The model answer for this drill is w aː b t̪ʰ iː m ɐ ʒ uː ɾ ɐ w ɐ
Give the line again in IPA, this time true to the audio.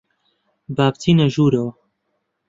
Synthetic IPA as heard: b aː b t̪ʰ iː n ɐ ʒ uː ɾ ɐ w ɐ